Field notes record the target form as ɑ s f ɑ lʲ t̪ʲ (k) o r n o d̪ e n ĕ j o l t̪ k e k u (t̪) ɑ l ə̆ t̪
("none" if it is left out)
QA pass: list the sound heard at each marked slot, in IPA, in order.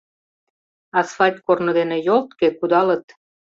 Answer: k, d̪

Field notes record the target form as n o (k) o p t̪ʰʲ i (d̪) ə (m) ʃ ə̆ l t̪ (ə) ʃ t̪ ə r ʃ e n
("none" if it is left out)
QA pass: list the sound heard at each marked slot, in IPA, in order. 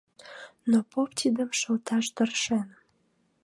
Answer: p, d̪, m, ɑ

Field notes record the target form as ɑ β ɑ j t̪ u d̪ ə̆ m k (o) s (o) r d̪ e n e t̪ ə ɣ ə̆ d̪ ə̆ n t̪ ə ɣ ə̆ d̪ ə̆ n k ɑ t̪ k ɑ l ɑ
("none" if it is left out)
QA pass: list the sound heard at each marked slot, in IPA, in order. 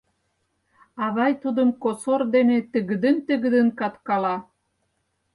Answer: o, o

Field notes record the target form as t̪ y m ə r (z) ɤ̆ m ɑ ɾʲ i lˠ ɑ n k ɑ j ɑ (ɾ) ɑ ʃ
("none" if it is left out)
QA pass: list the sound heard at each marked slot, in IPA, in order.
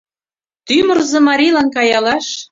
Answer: z, l

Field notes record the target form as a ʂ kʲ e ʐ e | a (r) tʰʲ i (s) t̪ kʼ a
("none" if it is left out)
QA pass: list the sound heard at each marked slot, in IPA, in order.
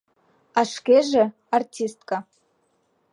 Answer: r, s

